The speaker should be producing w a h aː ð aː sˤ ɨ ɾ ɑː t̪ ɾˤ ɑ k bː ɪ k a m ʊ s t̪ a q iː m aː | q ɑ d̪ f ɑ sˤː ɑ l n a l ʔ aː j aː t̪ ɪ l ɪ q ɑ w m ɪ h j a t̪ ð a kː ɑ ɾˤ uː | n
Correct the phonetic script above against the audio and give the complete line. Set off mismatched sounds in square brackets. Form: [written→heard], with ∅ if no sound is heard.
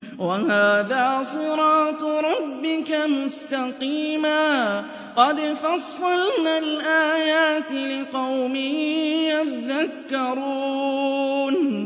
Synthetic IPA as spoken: w a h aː ð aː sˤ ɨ ɾ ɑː t̪ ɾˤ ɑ [k→∅] bː ɪ k a m ʊ s t̪ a q iː m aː | q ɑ d̪ f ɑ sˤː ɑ l n a l ʔ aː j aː t̪ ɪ l ɪ q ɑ w m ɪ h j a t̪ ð a kː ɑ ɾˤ uː | n